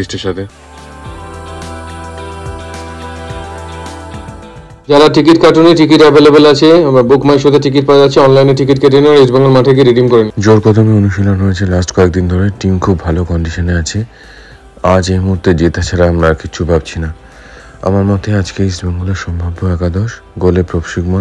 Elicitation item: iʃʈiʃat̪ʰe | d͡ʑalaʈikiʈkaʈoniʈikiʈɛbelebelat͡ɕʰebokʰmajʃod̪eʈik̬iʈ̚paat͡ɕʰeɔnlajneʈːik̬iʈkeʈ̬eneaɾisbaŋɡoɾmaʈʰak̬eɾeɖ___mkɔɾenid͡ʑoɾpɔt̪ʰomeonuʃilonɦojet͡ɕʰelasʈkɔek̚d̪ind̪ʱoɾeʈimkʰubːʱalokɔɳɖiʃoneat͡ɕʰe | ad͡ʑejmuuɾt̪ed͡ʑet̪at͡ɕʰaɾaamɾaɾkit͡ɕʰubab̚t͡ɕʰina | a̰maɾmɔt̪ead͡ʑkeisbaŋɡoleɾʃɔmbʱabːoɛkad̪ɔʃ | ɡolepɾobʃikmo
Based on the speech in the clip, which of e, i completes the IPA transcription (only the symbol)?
i